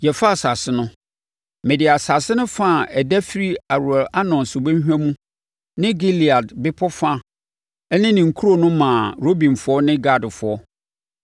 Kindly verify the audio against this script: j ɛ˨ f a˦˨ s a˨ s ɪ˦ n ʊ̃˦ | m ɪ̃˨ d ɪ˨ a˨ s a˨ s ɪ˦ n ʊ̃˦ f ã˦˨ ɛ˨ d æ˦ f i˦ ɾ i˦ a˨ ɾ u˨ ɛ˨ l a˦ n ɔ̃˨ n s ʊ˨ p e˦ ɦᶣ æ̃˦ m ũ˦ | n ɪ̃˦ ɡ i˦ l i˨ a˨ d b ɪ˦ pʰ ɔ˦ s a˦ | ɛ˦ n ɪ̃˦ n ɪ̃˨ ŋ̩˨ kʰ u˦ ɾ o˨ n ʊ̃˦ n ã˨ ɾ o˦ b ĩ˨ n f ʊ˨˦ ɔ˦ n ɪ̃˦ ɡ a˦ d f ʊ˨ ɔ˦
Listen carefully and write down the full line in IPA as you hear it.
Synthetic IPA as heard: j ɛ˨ f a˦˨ s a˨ s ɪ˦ n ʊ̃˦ | m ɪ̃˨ d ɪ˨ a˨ s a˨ s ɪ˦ n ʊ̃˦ f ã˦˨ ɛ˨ d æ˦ f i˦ ɾ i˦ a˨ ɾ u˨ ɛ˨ l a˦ n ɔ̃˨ n s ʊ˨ b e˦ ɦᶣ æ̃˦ m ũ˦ | n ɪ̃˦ ɡ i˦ l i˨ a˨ d b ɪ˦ pʰ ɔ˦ f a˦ | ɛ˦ n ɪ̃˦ n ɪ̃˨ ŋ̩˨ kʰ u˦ ɾ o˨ n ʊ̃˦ m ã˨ ɾ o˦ b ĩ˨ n f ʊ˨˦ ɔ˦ n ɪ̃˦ ɡ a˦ d f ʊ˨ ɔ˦